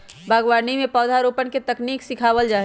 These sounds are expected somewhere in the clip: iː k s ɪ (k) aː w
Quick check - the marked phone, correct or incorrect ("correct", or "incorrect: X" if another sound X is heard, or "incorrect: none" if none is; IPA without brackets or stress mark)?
incorrect: kʰ